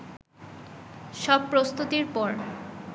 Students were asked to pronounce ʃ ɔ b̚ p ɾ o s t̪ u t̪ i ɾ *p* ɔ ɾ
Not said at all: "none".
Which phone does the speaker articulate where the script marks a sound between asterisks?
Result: p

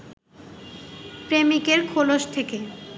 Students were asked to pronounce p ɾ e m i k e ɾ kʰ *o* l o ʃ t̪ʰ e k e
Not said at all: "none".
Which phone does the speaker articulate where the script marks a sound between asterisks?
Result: o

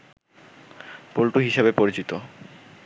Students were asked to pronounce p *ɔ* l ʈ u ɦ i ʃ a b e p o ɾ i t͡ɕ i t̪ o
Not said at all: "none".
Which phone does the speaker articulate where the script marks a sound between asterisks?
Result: o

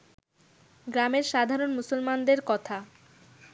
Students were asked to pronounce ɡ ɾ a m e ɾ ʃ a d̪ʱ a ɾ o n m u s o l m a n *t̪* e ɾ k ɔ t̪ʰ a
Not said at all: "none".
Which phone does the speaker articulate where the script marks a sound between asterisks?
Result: d̪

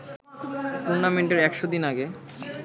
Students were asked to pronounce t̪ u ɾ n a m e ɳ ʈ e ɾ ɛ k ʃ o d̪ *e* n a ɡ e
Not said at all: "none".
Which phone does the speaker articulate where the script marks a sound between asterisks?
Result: i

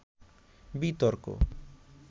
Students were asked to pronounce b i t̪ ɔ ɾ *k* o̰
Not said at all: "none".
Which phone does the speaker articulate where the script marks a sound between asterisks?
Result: k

